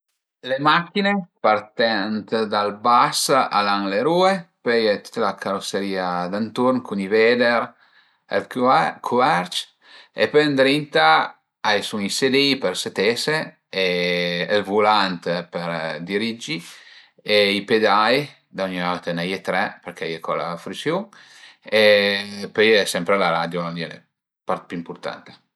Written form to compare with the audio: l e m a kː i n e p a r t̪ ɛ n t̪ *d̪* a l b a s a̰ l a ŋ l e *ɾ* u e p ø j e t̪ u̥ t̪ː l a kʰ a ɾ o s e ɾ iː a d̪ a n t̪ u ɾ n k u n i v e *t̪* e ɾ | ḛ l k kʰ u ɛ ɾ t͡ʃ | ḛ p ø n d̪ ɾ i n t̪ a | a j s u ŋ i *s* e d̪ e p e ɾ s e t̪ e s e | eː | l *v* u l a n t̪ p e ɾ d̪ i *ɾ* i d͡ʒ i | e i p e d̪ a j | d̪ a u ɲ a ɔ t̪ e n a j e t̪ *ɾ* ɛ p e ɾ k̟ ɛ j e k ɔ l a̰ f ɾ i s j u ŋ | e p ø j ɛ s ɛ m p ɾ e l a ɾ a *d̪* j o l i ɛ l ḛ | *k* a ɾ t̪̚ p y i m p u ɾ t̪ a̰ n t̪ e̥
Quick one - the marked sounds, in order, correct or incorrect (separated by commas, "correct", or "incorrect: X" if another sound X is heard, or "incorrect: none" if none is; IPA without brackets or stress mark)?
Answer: correct, correct, incorrect: d̪, correct, correct, correct, correct, correct, incorrect: p